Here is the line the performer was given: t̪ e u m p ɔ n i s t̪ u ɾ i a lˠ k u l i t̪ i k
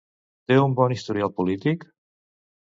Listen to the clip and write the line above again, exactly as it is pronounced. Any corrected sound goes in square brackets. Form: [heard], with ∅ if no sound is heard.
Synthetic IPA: t̪ e u m [b] ɔ n i s t̪ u ɾ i a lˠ [p] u l i t̪ i k